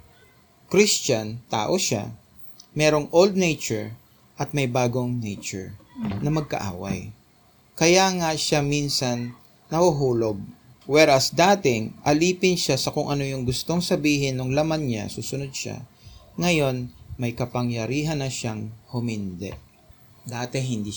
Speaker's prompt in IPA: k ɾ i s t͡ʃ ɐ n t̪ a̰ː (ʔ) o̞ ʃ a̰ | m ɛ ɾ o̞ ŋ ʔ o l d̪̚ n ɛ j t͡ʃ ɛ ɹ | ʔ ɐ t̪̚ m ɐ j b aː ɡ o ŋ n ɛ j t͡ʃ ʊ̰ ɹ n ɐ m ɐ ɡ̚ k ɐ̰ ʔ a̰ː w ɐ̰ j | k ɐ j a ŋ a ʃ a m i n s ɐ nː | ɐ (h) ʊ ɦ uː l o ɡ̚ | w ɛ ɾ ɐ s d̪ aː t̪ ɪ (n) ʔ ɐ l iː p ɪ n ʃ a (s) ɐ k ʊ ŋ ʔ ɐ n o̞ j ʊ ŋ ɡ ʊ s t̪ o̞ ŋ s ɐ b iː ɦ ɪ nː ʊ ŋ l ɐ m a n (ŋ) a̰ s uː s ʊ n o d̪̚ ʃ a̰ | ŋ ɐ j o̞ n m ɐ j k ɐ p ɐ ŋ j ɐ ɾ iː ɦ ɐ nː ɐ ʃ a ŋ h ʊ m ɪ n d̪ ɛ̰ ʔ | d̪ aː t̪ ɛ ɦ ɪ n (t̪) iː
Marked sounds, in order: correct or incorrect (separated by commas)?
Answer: correct, correct, incorrect, correct, incorrect, incorrect